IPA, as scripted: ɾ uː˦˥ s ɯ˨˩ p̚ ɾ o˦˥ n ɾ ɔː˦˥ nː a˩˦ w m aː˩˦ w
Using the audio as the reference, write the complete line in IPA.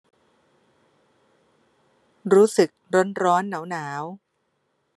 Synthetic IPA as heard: ɾ uː˦˥ s ɯ˨˩ k̚ ɾ o˦˥ n ɾ ɔː˦˥ nː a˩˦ w n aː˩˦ w